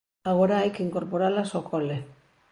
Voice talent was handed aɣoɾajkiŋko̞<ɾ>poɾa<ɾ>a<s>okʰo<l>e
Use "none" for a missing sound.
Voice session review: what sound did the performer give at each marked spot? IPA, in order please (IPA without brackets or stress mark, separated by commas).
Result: ɾ, l, s, l